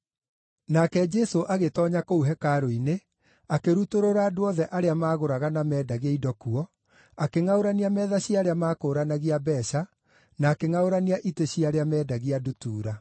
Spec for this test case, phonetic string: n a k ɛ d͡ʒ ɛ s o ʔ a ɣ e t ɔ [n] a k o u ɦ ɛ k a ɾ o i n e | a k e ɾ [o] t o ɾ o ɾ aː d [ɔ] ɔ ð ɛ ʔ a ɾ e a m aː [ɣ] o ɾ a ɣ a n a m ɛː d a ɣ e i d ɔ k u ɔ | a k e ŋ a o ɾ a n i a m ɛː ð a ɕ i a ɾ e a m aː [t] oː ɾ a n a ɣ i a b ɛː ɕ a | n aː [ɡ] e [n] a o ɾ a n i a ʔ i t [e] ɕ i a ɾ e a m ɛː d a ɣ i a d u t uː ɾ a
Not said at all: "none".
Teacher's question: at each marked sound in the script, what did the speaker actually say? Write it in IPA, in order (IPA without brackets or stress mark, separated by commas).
ɲ, u, o, ɣ, k, k, ŋ, e